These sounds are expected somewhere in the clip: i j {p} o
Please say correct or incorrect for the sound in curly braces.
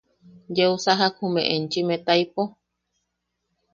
correct